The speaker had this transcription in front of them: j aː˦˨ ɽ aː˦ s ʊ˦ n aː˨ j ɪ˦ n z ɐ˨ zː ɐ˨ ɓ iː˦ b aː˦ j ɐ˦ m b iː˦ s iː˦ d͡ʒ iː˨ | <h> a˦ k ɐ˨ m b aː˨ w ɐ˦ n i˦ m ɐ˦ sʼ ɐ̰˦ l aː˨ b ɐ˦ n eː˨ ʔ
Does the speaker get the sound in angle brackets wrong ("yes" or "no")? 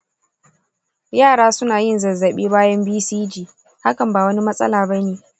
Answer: no